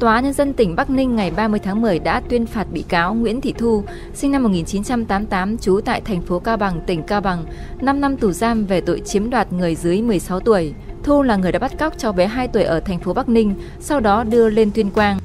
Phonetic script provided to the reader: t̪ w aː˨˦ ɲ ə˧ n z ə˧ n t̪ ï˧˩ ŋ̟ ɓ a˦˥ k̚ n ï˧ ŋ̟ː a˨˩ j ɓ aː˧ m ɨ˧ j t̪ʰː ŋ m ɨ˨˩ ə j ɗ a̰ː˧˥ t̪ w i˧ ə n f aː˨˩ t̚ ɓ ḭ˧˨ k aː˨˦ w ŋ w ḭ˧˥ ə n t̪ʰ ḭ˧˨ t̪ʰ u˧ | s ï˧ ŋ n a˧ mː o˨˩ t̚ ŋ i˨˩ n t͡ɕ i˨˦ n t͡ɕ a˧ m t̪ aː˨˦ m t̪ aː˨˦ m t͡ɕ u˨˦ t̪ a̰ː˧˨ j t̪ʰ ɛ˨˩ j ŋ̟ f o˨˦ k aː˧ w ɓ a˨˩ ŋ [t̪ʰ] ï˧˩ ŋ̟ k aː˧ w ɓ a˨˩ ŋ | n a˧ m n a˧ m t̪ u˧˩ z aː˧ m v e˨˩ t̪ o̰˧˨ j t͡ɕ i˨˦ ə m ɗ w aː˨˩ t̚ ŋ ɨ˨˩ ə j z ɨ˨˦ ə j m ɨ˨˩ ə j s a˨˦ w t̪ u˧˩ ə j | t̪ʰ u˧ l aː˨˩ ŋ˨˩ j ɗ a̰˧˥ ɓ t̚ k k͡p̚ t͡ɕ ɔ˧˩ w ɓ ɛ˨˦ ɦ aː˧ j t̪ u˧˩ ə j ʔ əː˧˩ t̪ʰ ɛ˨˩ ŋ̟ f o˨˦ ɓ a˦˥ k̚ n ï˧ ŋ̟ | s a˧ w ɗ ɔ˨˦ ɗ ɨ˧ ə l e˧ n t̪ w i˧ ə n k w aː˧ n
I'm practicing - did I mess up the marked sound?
yes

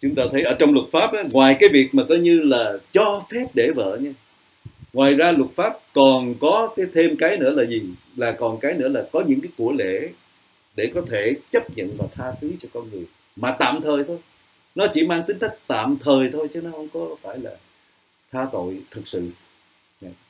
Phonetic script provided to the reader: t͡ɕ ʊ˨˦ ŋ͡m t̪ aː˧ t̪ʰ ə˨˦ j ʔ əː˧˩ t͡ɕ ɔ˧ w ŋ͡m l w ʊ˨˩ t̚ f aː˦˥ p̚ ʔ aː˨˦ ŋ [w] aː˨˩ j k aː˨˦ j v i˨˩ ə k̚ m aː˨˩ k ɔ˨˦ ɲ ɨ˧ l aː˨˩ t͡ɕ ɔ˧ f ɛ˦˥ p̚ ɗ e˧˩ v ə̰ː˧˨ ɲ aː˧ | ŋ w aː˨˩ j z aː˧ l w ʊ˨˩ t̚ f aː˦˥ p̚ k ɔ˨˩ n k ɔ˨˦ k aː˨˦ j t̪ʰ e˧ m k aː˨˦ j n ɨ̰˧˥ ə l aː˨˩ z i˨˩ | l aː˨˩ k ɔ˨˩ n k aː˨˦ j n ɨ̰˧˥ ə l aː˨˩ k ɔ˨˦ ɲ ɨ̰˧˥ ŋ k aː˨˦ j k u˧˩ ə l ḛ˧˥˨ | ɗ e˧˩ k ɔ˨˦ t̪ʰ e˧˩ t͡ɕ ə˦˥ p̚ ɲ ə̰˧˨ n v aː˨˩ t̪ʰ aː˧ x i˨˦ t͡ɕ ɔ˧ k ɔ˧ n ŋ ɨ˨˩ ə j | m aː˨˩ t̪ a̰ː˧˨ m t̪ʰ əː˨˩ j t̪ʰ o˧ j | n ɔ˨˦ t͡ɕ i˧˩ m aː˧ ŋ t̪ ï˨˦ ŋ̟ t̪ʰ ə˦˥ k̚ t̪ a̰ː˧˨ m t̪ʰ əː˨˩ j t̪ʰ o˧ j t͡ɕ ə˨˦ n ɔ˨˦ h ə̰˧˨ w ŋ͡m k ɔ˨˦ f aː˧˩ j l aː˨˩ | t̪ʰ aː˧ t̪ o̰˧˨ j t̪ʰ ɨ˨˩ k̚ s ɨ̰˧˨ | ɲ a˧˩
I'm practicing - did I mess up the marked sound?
no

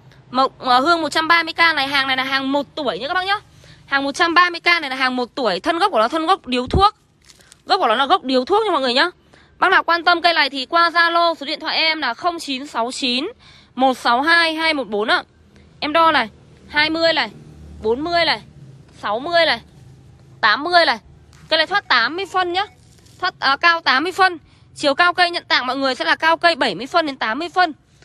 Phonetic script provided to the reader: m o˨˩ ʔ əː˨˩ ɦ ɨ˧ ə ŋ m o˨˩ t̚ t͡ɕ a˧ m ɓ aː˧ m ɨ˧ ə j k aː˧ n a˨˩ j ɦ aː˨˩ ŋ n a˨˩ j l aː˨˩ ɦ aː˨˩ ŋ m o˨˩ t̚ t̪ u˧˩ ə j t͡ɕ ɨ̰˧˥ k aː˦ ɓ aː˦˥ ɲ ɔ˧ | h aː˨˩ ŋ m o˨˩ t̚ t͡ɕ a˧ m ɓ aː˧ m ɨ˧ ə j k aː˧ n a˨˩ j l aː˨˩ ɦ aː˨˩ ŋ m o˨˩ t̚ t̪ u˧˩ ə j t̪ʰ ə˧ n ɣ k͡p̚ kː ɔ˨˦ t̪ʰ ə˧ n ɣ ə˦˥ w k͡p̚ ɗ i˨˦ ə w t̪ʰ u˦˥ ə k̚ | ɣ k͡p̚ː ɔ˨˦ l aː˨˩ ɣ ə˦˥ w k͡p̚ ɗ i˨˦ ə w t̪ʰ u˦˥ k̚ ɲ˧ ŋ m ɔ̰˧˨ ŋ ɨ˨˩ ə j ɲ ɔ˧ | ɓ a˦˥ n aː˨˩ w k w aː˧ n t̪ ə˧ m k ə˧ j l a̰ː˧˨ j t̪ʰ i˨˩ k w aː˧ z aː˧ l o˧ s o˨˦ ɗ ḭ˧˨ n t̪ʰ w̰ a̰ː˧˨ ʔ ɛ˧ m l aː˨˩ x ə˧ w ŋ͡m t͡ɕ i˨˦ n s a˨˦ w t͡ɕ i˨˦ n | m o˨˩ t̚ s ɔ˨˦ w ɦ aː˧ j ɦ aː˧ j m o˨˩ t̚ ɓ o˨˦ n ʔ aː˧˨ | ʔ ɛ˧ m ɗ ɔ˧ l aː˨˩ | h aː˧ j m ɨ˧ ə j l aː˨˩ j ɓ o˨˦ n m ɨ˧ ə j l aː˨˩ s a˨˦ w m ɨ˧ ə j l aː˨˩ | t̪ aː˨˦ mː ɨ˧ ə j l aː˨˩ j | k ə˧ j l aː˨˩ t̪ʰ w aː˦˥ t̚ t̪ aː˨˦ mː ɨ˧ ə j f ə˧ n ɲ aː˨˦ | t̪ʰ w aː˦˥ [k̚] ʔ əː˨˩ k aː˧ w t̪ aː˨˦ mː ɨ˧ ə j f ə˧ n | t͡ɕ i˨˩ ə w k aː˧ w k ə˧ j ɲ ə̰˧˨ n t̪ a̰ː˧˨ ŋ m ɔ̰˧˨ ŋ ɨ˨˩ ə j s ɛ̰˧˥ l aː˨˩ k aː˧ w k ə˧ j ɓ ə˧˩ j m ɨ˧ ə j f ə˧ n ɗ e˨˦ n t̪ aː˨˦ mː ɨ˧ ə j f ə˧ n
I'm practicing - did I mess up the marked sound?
yes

